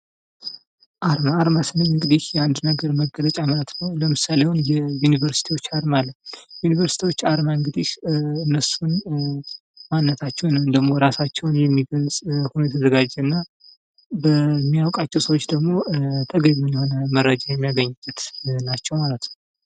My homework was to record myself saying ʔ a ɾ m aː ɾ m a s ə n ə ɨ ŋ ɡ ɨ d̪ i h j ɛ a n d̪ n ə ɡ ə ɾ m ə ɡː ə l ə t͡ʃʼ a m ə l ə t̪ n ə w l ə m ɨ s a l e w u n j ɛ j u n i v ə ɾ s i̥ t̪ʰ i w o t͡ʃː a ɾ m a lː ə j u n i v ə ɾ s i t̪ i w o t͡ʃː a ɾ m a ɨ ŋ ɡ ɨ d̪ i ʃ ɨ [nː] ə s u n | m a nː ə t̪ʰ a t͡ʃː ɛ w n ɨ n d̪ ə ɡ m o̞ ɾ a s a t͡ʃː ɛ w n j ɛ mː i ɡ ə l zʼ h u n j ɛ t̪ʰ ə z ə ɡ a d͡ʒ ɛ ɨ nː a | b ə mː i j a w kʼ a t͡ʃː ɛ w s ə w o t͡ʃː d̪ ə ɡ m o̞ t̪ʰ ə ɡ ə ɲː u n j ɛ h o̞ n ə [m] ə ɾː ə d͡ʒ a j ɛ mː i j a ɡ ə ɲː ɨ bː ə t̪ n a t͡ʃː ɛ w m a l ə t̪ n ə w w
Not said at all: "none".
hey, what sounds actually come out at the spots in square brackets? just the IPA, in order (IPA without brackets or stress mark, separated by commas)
nː, m